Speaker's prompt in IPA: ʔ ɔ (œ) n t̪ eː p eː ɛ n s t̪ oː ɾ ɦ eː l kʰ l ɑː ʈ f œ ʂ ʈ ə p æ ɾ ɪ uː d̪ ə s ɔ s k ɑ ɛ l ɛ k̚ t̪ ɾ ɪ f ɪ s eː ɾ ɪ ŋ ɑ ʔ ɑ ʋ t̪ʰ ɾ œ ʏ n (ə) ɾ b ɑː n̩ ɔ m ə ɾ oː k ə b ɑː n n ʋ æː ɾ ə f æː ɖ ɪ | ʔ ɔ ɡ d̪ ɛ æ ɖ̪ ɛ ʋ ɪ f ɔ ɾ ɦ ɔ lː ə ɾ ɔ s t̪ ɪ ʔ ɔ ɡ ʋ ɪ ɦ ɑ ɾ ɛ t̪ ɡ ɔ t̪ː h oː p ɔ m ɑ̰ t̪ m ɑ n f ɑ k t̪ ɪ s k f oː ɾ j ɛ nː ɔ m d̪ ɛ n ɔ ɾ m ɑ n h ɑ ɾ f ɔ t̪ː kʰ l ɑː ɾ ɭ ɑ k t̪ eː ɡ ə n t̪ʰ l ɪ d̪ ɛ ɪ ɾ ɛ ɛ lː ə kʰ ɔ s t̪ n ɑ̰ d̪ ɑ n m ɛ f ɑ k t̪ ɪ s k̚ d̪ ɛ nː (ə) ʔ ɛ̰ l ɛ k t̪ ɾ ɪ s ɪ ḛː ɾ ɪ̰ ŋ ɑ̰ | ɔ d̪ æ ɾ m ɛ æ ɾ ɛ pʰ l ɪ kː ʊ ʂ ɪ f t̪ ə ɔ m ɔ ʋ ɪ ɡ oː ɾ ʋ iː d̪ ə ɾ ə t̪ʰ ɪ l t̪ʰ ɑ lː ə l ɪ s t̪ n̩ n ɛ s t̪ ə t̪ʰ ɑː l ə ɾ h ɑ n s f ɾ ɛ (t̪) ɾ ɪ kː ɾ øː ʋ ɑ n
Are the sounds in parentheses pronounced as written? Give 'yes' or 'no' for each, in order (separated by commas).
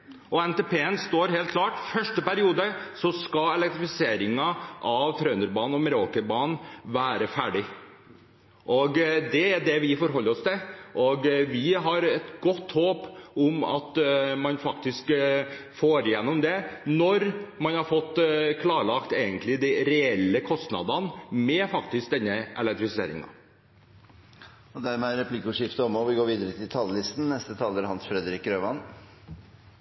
no, yes, yes, no